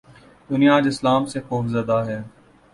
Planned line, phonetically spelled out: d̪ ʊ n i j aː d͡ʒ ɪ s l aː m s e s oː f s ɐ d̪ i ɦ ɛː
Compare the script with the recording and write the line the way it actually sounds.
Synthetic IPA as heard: d̪ ʊ n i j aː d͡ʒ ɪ s l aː m s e x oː f z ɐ d̪ a ɦ ɛː